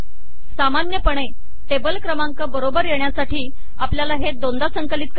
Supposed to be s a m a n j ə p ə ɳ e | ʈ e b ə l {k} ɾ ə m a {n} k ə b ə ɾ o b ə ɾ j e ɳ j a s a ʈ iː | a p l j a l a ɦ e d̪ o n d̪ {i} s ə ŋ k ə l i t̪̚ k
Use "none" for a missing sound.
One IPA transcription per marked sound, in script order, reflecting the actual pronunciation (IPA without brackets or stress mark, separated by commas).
k, ŋ, a